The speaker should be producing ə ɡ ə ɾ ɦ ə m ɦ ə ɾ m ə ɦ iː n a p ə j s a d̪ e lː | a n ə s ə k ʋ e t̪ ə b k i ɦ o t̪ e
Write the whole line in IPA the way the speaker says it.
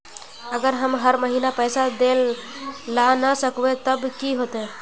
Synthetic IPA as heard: ə ɡ ə ɾ ɦ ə m ɦ ə ɾ m ə ɦ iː n a p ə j s a d̪ e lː | a n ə s ə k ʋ e t̪ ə b k i ɦ o t̪ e